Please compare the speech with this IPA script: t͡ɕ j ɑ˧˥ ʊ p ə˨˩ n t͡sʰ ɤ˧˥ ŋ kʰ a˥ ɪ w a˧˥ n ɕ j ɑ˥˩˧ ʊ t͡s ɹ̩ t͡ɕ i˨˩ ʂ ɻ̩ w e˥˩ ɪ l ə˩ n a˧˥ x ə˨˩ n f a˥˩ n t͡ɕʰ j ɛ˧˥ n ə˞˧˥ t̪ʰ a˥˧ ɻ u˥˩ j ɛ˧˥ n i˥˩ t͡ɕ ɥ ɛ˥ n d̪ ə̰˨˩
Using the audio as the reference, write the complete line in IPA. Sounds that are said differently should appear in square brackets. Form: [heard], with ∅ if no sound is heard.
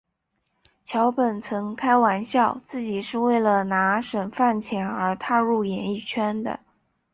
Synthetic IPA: [t͡ɕʰ] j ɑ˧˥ ʊ p ə˨˩ n t͡sʰ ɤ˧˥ ŋ kʰ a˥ ɪ w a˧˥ n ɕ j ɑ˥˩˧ ʊ t͡s ɹ̩ t͡ɕ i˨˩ ʂ ɻ̩ w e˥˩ ɪ l ə˩ n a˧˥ [ʂ] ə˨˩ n f a˥˩ n t͡ɕʰ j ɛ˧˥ n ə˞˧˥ t̪ʰ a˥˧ ɻ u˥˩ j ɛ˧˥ n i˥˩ [t͡ɕʰ] ɥ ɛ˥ n d̪ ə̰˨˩